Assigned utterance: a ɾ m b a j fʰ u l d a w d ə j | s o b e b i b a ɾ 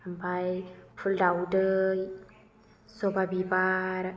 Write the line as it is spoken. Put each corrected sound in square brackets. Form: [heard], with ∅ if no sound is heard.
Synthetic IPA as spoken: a [∅] m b a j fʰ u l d a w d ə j | s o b [a] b i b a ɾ